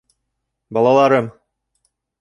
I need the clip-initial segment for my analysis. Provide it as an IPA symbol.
b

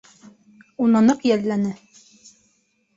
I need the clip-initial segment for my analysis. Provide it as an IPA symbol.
u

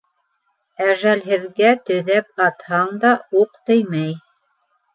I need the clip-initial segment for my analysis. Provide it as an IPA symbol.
æ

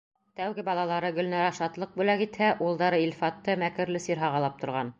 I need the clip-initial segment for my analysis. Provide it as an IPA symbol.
t̪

